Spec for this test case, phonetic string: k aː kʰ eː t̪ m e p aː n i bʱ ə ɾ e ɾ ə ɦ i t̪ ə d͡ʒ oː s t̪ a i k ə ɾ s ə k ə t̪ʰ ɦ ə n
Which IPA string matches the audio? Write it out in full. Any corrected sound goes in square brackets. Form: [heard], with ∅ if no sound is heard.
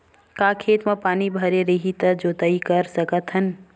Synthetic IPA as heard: k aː kʰ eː t̪ m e p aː n i bʱ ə ɾ e ɾ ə ɦ i t̪ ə d͡ʒ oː [∅] t̪ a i k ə ɾ s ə k ə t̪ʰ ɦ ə n